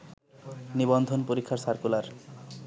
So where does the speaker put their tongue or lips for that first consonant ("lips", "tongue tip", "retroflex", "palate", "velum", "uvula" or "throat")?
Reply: tongue tip